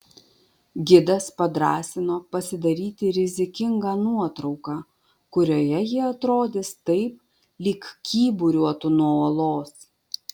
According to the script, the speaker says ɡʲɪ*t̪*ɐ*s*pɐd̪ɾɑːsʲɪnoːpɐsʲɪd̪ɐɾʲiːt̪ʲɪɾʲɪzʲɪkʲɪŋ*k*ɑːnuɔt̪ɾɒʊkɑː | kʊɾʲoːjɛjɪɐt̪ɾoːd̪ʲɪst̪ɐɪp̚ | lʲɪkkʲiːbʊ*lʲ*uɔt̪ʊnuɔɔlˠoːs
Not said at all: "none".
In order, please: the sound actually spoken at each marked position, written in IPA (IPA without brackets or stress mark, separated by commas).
d̪, s, ɡ, ɾʲ